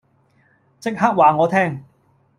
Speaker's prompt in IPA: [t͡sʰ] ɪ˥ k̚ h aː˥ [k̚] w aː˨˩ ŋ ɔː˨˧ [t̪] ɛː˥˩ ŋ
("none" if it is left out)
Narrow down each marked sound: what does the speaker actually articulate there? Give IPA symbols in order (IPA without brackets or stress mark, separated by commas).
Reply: t͡s, k̚, t̪ʰ